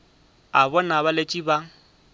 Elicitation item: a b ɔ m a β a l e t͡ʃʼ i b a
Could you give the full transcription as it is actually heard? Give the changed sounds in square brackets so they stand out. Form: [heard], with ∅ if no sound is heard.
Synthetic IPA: a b ɔ [n] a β a l e t͡ʃʼ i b a